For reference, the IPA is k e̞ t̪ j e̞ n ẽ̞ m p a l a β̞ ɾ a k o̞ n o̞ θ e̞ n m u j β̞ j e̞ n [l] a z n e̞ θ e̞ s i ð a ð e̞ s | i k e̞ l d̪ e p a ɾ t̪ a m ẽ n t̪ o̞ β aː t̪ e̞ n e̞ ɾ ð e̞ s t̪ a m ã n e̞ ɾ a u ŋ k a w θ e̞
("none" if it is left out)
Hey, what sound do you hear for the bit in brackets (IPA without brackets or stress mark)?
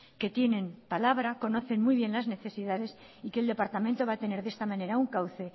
l